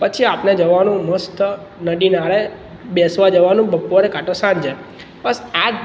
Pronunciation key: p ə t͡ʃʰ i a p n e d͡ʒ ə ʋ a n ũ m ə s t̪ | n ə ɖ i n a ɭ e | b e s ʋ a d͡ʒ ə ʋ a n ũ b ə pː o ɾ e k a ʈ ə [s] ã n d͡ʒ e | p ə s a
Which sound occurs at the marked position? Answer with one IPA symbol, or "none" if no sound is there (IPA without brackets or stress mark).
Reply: s